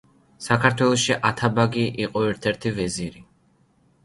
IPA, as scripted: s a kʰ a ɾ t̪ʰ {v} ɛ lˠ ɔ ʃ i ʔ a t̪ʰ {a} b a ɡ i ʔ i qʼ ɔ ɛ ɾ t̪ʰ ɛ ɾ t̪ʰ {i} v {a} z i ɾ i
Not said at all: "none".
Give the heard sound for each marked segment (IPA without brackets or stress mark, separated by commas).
w, a, i, ɛ